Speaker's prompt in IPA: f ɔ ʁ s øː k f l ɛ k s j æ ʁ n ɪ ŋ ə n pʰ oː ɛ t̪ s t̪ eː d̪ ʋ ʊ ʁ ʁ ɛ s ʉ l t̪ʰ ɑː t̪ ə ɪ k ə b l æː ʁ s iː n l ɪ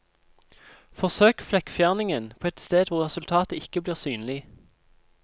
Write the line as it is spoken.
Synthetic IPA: f ɔ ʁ s øː k f l ɛ k f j æ ʁ n ɪ ŋ ə n pʰ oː ɛ t̪ s t̪ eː d̪ ʋ ʊ ʁ ʁ ɛ s ʉ l t̪ʰ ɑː t̪ ə ɪ k ə b l iː ʁ s yː n l ɪ